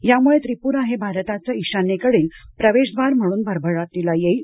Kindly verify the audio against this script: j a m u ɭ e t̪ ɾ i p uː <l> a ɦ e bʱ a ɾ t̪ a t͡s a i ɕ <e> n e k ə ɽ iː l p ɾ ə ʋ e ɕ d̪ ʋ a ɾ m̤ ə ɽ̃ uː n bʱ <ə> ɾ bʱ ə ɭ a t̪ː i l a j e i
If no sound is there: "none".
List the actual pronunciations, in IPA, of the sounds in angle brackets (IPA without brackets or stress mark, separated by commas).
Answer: ɾ, a, ə